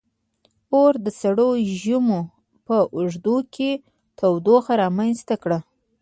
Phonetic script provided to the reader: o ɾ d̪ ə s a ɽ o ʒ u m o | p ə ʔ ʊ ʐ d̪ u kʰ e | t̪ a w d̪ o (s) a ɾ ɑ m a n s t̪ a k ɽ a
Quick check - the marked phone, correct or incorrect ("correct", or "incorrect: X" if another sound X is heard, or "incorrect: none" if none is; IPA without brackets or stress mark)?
incorrect: x